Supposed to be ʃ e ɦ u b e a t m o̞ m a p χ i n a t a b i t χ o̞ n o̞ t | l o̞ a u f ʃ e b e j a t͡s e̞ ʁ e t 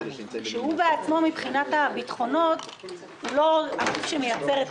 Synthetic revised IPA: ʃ e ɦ u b e a t͡s m o̞ m i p χ i n a t a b i t χ o̞ n o̞ t | l o̞ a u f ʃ e m e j a t͡s e̞ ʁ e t